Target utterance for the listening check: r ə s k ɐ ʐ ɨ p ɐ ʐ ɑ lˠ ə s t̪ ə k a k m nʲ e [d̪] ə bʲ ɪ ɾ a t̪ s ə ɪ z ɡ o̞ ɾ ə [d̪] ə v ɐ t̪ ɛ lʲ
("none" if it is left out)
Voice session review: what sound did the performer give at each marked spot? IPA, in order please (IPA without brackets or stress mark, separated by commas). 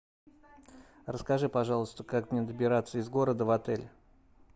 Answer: d̪, d̪